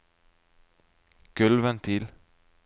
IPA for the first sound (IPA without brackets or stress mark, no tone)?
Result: ɡ̥